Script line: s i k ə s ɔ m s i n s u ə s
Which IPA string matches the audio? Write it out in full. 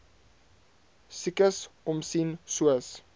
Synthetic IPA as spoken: s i k ə s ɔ m s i n s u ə s